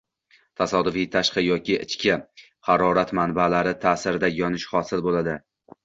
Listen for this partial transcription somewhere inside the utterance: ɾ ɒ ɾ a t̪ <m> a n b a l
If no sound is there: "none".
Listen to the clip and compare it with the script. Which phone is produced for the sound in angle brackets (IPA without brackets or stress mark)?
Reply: m